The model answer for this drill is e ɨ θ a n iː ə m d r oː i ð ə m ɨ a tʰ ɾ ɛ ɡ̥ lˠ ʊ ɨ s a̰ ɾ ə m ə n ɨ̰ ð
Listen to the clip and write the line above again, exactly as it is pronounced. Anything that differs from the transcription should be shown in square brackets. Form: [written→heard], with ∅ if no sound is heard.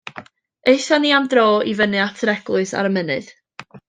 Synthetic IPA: e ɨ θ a n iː [ə→a] m d r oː i [ð→v] ə [m→n] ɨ a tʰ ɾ ɛ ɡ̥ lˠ ʊ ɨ s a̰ ɾ ə m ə n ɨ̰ ð